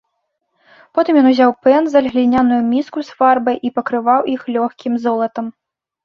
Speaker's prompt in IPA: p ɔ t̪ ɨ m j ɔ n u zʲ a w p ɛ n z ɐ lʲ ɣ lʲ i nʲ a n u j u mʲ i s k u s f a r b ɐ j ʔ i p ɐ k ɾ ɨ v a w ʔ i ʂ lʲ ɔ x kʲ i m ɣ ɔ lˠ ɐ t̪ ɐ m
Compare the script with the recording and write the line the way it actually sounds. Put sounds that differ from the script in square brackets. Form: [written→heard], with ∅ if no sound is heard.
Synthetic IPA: p ɔ t̪ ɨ m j ɔ n u zʲ a w p ɛ n z ɐ lʲ ɣ lʲ i nʲ a n u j u mʲ i s k u s f a r b ɐ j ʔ i p ɐ k ɾ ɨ v a w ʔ i [ʂ→x] lʲ ɔ x kʲ i m [ɣ→z] ɔ lˠ ɐ t̪ ɐ m